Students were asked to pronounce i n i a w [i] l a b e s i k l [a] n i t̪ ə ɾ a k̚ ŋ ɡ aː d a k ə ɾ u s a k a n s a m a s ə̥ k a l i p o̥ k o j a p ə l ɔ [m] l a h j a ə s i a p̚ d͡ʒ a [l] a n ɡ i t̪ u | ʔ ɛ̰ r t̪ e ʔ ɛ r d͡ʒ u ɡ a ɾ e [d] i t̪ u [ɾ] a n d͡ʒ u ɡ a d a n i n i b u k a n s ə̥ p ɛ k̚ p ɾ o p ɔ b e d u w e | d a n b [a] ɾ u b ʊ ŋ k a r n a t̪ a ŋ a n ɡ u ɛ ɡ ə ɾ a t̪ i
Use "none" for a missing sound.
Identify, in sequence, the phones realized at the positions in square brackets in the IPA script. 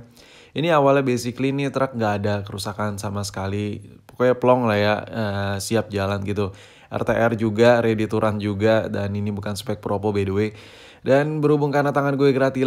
a, i, ŋ, l, d, ɾ, ə

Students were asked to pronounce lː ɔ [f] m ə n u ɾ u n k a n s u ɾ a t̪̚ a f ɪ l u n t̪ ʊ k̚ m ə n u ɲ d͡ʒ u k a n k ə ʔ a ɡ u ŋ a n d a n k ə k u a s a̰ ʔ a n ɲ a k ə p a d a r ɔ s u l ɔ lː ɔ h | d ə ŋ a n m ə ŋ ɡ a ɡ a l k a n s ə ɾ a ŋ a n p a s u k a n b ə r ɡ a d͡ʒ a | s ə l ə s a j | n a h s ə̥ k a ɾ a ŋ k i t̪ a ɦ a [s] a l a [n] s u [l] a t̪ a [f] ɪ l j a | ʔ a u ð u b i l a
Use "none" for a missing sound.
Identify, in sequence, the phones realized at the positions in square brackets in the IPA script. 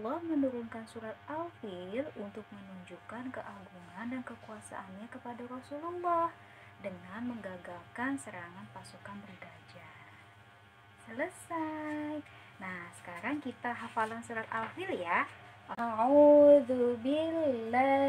h, f, n, ɾ, f

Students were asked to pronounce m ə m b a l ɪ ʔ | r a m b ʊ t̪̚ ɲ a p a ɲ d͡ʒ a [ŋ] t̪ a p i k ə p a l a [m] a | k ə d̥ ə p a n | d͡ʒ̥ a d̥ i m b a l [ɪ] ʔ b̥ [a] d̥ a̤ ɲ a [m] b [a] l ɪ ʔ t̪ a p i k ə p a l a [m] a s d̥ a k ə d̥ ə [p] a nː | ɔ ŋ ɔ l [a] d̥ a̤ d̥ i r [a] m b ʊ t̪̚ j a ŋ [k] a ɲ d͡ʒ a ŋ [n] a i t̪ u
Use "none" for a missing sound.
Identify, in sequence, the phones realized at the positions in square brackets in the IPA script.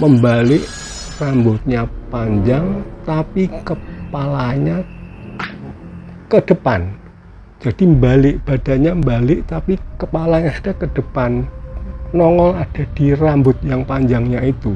ŋ, ɲ, ɪ, a, m, a, ɲ, p, a, a, p, ɲ

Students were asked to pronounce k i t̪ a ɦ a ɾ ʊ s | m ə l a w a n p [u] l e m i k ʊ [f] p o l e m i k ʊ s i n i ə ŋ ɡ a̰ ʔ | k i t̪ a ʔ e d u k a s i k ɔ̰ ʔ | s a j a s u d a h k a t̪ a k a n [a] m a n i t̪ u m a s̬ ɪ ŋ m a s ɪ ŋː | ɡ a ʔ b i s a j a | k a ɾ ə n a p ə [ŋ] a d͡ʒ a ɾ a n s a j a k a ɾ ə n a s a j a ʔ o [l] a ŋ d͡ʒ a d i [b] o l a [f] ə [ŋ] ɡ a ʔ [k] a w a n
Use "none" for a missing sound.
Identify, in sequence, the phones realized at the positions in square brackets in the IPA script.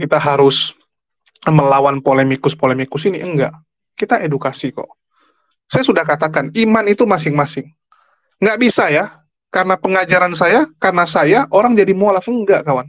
o, s, i, ŋ, ɾ, m, f, ŋ, k

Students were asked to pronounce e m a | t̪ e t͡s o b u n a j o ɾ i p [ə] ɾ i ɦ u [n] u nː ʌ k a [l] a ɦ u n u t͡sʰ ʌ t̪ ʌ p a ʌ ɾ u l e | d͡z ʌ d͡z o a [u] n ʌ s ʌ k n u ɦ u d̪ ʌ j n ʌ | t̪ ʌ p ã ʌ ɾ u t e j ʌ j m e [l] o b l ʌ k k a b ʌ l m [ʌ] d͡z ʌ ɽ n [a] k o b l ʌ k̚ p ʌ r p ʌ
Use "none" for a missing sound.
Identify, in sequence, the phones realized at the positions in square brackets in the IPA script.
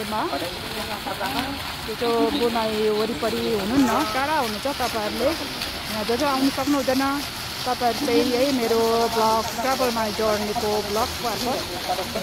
ʌ, n, ɽ, w, ɾ, a, e

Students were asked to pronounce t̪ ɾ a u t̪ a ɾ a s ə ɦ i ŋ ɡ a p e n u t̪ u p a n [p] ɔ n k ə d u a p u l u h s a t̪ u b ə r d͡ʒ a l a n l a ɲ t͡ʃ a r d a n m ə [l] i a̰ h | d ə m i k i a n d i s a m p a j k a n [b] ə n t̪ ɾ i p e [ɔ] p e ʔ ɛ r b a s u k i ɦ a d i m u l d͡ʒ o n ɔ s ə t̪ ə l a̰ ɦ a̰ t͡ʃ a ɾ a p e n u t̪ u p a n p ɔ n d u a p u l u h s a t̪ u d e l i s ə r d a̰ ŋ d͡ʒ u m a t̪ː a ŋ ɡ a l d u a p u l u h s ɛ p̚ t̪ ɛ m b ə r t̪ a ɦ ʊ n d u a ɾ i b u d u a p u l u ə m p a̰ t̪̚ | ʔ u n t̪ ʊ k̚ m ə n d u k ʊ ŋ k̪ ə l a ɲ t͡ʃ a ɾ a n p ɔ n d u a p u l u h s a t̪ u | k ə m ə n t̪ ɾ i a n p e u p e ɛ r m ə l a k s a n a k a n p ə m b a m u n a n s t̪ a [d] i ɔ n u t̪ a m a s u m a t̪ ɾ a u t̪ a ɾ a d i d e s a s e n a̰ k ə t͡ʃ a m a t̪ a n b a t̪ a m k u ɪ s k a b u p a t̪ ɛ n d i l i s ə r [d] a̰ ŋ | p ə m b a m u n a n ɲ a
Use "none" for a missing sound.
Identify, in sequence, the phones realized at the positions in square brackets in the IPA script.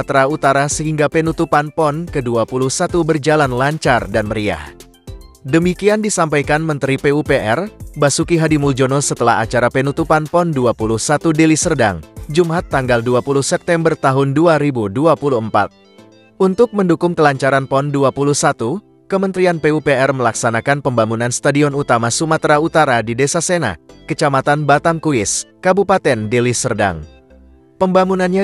p, ɾ, m, u, d, d

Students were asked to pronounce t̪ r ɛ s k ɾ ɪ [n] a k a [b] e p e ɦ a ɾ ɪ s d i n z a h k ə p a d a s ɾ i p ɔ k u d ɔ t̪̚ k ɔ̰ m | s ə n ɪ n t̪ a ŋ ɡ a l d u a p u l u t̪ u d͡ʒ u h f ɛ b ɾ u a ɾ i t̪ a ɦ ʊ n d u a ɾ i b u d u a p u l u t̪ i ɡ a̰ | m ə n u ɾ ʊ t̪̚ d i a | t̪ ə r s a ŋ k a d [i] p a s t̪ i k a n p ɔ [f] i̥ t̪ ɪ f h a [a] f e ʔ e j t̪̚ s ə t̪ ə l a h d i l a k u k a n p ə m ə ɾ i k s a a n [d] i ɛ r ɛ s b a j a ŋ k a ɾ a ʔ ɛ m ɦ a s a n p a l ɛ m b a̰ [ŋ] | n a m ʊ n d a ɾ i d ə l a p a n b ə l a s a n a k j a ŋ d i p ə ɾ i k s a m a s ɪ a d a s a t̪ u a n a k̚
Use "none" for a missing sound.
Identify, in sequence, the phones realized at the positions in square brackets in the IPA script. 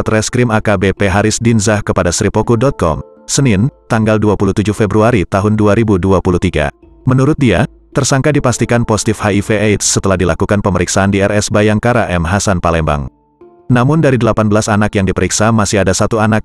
m, b, i, s, i, d, ŋ

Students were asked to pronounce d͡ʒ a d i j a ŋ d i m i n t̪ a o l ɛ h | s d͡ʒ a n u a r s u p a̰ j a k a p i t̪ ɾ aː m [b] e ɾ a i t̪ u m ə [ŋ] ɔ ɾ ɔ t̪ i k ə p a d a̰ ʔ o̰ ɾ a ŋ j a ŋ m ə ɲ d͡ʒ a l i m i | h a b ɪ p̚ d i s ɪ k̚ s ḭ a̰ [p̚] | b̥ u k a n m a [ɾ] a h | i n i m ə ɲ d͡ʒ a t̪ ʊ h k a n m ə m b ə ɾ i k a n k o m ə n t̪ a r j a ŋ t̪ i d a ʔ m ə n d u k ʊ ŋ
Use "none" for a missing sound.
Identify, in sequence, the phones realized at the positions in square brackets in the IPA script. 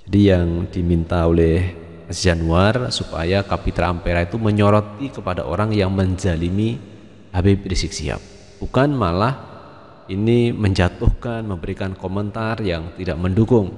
p, ɲ, p̚, l

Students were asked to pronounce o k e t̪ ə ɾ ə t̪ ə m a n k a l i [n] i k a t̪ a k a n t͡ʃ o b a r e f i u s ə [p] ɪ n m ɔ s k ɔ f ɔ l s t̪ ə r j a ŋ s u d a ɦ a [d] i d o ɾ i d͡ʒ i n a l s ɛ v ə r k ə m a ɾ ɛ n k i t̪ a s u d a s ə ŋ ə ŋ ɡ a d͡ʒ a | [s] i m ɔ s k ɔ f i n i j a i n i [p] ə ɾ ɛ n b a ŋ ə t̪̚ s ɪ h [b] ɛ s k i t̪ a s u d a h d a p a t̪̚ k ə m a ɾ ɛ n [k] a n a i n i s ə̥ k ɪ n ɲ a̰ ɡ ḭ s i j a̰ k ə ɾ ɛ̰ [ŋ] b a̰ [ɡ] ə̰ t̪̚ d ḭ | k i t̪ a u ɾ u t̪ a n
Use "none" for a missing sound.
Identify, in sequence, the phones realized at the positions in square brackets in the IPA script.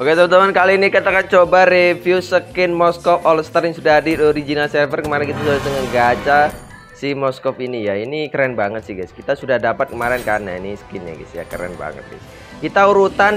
n, k, d, s, k, ɡ, k, n, ŋ

